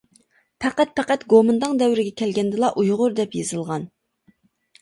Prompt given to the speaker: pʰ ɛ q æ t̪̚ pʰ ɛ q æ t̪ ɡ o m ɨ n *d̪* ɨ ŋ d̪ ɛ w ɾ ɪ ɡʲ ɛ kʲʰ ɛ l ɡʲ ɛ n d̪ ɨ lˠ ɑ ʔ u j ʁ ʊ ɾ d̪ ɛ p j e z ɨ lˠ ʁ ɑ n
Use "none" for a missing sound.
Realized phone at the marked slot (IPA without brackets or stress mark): d̪